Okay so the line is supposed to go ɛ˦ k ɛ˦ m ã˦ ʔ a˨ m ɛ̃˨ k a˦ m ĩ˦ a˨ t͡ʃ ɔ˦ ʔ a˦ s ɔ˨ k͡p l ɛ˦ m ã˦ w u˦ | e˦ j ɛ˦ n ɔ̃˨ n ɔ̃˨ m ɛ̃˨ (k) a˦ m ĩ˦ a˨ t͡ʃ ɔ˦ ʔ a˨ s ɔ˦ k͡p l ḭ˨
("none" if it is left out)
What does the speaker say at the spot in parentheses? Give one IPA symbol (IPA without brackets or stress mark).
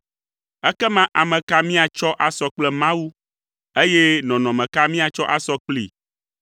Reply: k